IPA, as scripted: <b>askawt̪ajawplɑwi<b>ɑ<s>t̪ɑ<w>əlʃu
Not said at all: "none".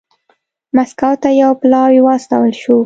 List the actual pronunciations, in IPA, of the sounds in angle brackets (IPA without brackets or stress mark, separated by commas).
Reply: m, w, s, w